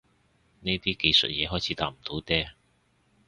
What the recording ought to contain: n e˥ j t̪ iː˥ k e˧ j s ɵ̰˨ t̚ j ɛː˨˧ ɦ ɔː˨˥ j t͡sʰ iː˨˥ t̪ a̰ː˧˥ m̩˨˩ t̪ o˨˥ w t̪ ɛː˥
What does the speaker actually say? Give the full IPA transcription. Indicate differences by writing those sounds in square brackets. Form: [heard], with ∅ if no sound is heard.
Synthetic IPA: n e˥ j t̪ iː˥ k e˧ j s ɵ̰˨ t̚ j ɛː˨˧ ɦ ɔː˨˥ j t͡sʰ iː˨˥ t̪ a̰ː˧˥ m̩˨˩ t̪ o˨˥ w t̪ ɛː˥